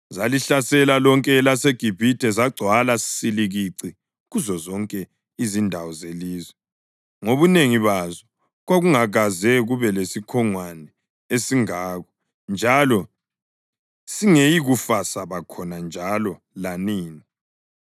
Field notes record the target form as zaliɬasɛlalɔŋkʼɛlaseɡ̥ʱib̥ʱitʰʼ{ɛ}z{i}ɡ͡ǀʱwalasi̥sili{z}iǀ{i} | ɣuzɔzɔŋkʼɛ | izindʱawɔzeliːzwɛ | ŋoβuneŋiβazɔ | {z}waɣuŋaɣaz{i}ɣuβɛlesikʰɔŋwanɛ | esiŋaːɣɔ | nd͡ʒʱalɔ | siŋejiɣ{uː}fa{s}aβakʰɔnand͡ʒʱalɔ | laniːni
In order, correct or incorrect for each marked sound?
correct, incorrect: a, incorrect: ɣ, correct, incorrect: ɣ, incorrect: ɛ, incorrect: u, correct

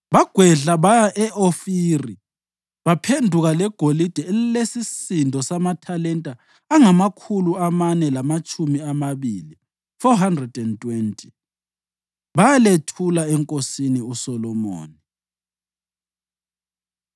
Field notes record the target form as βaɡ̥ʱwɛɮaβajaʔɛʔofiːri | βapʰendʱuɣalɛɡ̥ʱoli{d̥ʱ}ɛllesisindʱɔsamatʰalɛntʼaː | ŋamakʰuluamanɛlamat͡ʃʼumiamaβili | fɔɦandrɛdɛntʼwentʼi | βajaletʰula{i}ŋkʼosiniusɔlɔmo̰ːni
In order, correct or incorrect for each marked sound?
correct, incorrect: ɛ

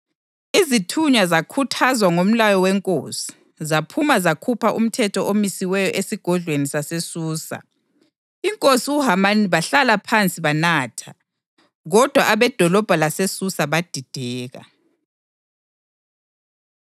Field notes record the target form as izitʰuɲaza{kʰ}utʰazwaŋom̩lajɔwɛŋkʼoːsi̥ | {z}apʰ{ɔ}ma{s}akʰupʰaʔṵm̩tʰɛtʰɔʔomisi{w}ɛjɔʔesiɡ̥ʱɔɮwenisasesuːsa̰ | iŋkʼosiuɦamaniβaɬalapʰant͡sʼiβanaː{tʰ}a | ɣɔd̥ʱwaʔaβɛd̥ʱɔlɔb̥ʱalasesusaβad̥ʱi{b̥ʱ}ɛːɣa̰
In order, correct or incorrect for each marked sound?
correct, correct, incorrect: u, incorrect: z, correct, correct, incorrect: d̥ʱ

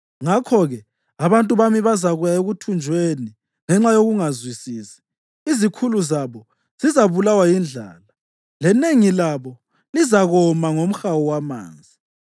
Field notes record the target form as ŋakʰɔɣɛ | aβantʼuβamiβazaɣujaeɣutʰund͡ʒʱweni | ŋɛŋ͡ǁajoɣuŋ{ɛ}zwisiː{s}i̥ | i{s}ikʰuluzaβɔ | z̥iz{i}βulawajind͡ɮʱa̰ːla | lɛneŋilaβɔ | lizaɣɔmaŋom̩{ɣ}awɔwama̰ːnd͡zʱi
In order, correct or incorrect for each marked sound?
incorrect: a, correct, incorrect: z, incorrect: a, incorrect: x

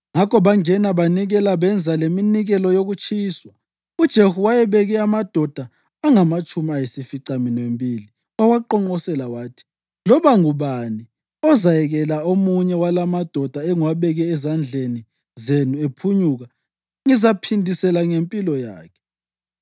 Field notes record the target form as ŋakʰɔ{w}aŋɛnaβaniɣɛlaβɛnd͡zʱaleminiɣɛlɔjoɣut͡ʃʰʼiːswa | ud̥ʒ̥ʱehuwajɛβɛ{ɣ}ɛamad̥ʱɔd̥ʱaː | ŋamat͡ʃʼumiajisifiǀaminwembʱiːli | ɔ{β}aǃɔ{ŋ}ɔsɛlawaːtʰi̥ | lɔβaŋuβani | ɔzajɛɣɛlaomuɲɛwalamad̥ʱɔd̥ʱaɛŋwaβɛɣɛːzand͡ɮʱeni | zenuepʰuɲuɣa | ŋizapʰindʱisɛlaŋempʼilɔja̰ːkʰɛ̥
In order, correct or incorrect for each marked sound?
incorrect: β, correct, incorrect: w, incorrect: ŋ͡ǃ

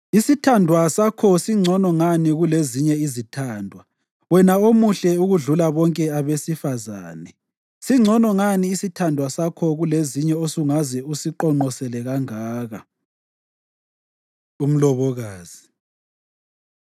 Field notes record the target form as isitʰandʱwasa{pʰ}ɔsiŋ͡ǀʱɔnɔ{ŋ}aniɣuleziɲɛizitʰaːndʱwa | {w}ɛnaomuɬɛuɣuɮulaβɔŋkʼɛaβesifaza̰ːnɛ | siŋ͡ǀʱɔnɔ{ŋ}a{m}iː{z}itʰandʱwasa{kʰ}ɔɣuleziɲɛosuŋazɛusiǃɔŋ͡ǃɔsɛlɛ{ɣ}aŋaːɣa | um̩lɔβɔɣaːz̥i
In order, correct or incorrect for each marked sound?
incorrect: kʰ, correct, correct, correct, incorrect: n, incorrect: s, correct, correct

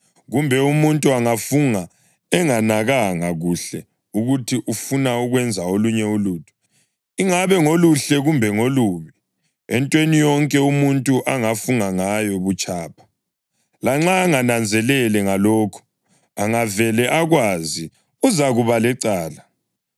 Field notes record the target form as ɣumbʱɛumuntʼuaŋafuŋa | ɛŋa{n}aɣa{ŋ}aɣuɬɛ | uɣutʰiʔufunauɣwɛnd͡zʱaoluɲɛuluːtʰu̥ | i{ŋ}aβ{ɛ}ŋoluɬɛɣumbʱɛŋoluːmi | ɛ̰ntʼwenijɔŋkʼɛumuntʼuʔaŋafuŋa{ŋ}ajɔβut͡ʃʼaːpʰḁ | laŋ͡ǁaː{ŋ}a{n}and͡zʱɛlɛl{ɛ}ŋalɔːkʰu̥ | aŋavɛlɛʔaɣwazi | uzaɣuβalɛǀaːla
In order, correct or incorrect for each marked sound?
correct, correct, correct, correct, correct, correct, correct, correct

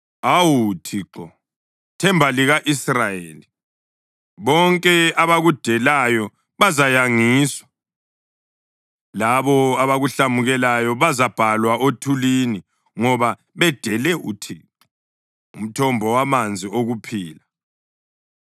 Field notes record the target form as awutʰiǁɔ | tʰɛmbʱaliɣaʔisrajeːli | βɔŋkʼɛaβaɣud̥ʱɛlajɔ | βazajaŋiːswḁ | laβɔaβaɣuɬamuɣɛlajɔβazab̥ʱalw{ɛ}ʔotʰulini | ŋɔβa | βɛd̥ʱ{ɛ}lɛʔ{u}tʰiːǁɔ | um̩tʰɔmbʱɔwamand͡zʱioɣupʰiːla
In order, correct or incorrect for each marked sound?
incorrect: a, correct, correct

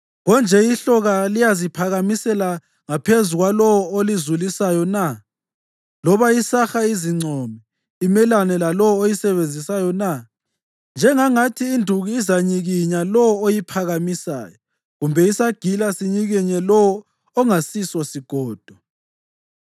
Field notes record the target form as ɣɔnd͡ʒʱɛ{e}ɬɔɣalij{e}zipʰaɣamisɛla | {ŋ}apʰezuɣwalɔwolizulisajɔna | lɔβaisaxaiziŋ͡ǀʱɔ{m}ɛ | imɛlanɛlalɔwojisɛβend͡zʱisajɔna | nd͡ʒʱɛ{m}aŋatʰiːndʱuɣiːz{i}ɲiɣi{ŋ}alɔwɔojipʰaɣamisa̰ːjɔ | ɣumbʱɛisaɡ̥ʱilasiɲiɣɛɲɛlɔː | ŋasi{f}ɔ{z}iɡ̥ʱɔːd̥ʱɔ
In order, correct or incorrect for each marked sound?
incorrect: i, incorrect: a, correct, correct, incorrect: ŋ, incorrect: a, incorrect: ɲ, incorrect: s, incorrect: s

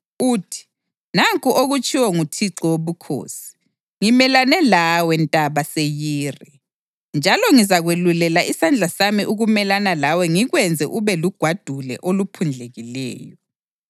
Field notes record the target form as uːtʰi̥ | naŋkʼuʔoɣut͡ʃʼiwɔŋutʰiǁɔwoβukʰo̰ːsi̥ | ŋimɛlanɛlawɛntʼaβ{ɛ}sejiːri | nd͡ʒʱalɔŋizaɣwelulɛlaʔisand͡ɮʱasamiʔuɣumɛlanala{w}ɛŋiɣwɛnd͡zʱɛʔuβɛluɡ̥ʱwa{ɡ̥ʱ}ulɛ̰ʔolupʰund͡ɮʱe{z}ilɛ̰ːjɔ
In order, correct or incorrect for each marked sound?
incorrect: a, correct, incorrect: d̥ʱ, incorrect: ɣ

